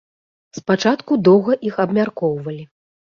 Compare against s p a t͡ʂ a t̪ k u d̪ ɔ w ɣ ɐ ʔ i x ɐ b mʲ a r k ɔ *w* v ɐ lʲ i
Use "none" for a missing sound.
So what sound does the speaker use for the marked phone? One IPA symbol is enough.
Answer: w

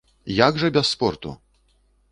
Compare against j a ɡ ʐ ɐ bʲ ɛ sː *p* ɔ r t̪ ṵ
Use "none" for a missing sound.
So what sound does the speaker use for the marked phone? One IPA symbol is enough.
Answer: p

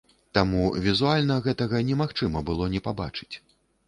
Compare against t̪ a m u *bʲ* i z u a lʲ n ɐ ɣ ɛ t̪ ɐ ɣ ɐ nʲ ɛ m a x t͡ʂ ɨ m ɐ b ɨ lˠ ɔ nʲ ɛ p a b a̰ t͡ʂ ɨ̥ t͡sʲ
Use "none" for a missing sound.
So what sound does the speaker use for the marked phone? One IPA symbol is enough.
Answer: vʲ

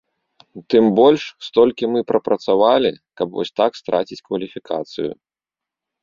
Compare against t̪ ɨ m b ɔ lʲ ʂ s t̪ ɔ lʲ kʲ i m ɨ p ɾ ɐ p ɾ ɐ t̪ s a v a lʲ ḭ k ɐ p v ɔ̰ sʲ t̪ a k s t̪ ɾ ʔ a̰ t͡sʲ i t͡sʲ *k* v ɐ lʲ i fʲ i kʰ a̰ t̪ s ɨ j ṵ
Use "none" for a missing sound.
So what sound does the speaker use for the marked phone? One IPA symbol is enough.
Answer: k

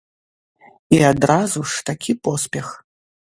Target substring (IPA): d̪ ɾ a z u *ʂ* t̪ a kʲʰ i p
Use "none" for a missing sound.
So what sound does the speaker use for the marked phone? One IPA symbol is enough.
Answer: ʂ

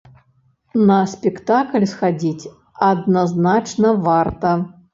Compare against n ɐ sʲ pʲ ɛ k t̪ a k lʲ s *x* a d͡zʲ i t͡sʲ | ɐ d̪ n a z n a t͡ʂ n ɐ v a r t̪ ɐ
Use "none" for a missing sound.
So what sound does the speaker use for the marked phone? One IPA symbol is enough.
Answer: x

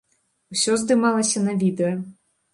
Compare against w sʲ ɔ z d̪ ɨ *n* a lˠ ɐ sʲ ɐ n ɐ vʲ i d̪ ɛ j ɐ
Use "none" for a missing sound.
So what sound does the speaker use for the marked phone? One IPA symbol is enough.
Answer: m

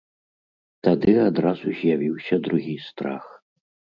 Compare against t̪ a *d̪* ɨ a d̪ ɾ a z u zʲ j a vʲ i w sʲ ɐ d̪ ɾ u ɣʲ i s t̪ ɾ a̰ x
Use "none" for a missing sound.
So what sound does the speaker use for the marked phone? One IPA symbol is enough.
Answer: d̪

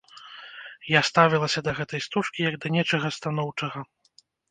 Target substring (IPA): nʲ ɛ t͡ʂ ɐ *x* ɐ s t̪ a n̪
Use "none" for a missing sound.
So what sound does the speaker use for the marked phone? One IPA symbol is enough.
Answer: ɣ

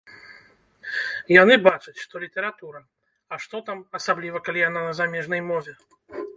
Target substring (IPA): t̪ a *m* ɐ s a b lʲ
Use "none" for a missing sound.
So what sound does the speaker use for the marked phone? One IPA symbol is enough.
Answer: m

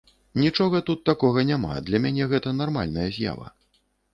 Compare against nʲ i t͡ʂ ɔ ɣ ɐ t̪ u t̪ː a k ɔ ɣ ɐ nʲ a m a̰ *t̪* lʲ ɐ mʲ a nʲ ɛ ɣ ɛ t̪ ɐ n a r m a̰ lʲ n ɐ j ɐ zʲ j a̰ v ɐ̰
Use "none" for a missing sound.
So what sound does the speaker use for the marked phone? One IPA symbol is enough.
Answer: d̪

